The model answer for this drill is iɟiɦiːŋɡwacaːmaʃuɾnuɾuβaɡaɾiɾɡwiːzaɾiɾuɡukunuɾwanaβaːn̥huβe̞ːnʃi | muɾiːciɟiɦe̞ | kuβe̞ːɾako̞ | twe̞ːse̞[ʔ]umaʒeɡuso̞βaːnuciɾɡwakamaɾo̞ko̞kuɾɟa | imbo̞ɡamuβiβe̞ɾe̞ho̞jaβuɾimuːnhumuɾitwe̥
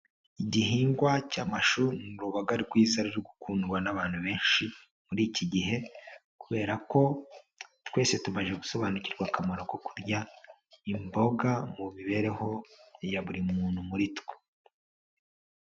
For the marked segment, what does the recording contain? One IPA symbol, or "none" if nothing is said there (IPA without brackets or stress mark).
t